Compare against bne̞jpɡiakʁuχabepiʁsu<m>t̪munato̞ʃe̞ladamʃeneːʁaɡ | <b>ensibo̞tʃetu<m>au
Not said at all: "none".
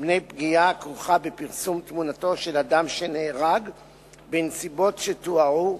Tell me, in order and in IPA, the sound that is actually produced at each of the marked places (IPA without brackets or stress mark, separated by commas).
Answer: m, b, none